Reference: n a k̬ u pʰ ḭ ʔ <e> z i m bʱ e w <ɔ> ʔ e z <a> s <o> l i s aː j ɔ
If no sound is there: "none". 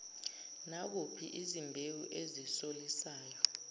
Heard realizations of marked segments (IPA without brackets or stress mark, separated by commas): i, u, i, o